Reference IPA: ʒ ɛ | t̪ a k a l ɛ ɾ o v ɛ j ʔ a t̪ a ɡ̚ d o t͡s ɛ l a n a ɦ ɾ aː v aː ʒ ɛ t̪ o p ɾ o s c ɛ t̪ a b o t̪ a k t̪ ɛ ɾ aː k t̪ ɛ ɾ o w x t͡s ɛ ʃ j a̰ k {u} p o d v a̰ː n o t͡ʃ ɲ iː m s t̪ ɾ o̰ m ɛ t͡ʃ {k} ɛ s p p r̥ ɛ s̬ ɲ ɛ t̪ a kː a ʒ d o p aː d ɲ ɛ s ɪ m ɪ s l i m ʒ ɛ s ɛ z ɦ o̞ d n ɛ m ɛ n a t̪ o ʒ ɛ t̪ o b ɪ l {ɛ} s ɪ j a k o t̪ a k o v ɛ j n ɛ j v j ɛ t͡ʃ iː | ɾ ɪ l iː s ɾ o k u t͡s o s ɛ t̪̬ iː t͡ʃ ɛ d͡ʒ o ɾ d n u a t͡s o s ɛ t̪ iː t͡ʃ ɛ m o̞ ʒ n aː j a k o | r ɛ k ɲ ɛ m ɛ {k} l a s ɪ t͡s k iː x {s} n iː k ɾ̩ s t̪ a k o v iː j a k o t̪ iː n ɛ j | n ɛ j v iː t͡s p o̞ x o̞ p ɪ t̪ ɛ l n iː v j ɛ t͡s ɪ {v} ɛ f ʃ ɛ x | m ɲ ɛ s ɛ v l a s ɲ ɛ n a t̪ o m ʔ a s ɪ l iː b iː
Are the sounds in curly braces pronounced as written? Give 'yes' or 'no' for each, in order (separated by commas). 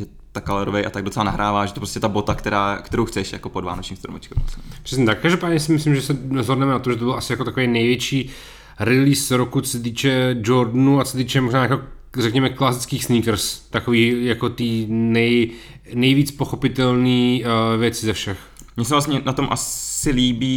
no, yes, no, yes, yes, no